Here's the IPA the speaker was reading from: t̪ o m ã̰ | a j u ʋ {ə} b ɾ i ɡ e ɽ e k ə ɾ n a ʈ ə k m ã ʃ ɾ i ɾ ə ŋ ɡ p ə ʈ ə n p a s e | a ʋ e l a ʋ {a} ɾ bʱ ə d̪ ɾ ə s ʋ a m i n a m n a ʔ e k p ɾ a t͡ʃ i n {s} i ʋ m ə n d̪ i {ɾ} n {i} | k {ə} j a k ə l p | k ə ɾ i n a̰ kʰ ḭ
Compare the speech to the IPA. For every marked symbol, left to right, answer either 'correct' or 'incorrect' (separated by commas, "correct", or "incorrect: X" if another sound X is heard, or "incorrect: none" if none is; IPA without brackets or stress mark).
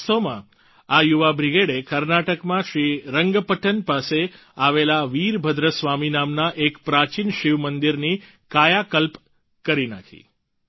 incorrect: a, incorrect: i, incorrect: ʃ, correct, correct, incorrect: a